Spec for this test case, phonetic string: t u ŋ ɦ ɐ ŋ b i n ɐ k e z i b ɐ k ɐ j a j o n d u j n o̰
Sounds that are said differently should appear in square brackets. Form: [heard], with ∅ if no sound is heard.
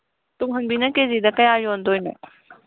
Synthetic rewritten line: t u ŋ ɦ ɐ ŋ b i n ɐ k e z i [d] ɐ k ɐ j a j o n d [o] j n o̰